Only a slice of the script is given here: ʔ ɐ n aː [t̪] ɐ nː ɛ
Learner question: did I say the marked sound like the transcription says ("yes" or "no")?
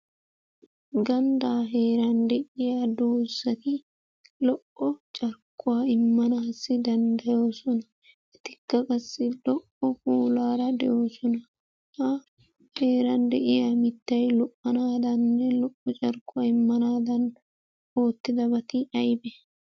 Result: no